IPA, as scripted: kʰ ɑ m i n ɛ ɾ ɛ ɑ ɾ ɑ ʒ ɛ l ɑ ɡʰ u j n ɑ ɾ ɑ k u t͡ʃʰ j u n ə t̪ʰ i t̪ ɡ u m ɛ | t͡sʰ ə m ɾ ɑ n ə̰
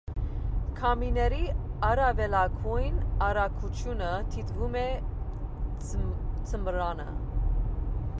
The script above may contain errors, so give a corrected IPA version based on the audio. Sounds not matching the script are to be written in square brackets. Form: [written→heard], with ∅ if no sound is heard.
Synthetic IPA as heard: kʰ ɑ m i n ɛ ɾ [ɛ→i] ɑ ɾ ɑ [ʒ→v] ɛ l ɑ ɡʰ u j n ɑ ɾ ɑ [k→kʰ] u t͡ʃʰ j u n ə t̪ʰ i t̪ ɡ u m ɛ | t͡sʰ ə m ɾ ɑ n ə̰